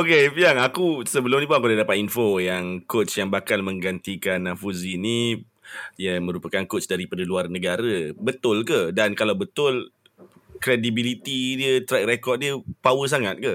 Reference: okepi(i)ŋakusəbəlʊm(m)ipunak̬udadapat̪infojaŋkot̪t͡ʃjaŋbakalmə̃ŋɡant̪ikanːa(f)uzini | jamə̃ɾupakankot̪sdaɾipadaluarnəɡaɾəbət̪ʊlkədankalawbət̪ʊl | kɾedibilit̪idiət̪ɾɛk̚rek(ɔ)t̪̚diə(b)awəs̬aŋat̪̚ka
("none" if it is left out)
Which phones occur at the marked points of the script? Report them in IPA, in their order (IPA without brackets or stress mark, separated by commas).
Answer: a, n, f, ɔ, p